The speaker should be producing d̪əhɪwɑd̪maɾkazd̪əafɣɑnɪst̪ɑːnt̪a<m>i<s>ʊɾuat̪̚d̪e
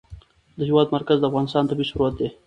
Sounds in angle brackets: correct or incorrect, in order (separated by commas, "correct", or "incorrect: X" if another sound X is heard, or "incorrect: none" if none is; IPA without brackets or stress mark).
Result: incorrect: b, incorrect: ʃ